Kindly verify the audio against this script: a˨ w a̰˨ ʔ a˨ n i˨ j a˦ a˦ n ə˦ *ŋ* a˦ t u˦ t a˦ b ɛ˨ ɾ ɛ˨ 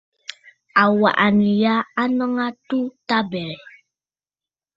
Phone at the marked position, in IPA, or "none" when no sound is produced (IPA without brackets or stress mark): ŋ